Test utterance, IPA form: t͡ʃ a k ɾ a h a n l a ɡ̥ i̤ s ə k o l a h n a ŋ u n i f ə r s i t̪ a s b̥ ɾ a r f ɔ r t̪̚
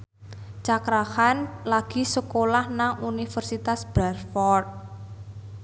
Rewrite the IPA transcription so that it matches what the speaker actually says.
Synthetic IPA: t͡ʃ a k ɾ a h a n l a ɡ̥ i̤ s ə k o l a h n a ŋ u n i f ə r s i t̪ a s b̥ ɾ a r f ɔ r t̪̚

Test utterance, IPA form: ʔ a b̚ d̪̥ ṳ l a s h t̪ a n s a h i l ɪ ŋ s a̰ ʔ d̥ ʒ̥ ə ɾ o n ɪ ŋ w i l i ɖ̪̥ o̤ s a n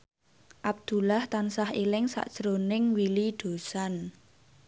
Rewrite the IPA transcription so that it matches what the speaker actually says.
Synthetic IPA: ʔ a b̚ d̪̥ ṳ l a h t̪ a n s a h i l ɪ ŋ s a̰ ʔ d̥ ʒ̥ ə ɾ o n ɪ ŋ w i l i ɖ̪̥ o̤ s a n

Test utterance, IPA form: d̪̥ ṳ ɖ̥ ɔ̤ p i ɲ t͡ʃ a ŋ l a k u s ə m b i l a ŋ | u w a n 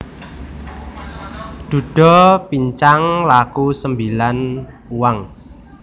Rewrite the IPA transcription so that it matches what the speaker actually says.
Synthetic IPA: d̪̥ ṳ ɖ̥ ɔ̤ p i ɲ t͡ʃ a ŋ l a k u s ə m b i l a n | u w a ŋ

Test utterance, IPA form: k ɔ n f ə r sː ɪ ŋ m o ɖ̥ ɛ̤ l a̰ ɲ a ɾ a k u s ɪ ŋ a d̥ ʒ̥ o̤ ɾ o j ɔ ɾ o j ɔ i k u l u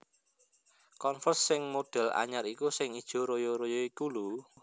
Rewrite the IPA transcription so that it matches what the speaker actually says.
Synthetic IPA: k ɔ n f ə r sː ɪ ŋ m o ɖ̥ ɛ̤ l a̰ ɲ a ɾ i k u s ɪ ŋ i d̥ ʒ̥ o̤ ɾ o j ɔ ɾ o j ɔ i k u l u

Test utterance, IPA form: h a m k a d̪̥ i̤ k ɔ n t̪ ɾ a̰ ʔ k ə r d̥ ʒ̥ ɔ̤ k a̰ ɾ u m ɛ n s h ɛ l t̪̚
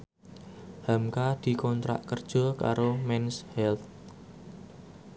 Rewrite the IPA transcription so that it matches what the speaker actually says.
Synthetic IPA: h a m k a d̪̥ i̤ k ɔ n t̪ ɾ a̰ ʔ k ə r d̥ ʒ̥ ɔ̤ k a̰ ɾ o m ɛ n s h ɛ l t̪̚

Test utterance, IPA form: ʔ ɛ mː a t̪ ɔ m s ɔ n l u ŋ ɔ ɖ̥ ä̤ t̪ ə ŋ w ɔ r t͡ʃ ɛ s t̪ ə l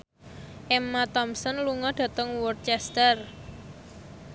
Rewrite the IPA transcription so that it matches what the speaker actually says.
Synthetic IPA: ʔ ɛ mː a t̪ ɔ m s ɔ n l u ŋ ɔ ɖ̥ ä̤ t̪ ə ŋ w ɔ r t͡ʃ ɛ s t̪ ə r

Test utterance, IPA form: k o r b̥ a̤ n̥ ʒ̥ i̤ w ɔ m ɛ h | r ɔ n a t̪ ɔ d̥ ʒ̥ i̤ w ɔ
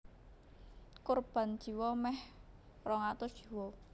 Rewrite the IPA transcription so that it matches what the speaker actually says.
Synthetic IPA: k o r b̥ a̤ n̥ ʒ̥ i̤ w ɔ m ɛ h | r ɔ ŋ a t̪ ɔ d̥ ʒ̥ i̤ w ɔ

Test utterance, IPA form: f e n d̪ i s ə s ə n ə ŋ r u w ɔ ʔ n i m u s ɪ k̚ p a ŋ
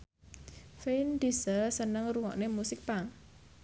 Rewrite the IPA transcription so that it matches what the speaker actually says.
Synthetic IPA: f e n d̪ i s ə s ə n ə ŋ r u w ɔ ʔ n e m u s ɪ k̚ p a ŋ

